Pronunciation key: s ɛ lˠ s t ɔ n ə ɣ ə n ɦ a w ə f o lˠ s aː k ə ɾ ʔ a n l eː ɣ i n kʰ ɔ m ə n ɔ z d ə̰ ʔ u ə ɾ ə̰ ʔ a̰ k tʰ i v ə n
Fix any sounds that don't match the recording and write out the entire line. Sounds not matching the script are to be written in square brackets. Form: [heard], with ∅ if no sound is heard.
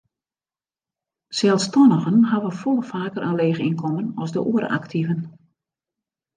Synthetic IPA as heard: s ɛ lˠ s t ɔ n ə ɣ ə n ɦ a [ʋ] ə f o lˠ [f] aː k ə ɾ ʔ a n l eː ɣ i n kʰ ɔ m ə n ɔ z d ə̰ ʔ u ə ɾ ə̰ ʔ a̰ k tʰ i v ə n